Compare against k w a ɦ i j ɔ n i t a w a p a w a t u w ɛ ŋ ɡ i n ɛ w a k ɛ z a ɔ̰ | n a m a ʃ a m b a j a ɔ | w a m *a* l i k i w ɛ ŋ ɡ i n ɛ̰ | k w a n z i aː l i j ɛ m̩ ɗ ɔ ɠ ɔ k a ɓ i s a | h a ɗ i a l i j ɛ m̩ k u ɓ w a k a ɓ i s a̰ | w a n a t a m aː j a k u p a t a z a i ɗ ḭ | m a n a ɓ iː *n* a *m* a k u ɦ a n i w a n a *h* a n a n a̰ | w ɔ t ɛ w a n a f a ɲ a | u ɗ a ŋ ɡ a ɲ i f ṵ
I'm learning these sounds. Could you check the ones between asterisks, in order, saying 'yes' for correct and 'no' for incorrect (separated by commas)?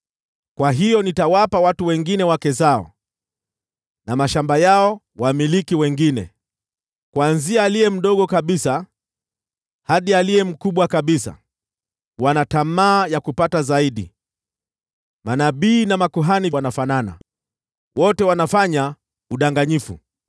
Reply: no, yes, yes, no